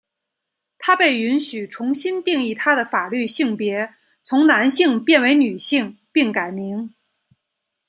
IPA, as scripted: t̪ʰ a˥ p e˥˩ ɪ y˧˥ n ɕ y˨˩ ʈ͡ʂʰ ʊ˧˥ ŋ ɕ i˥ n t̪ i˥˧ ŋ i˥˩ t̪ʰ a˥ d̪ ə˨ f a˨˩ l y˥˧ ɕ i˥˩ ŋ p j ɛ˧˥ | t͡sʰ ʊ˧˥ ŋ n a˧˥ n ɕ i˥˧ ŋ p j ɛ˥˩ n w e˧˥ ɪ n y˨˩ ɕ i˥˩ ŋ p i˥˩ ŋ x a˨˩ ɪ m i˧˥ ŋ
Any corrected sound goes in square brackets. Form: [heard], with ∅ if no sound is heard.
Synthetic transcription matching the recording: t̪ʰ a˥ p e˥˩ ɪ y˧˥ n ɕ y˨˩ ʈ͡ʂʰ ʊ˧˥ ŋ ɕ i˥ n t̪ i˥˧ ŋ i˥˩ t̪ʰ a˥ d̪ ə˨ f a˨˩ l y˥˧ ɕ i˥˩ ŋ p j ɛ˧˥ | t͡sʰ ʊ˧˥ ŋ n a˧˥ n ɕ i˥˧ ŋ p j ɛ˥˩ n w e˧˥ ɪ n y˨˩ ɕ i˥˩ ŋ p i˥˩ ŋ [k] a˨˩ ɪ m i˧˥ ŋ